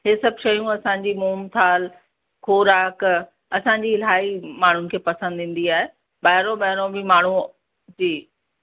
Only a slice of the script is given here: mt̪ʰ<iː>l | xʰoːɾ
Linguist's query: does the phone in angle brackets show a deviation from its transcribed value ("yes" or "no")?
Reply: yes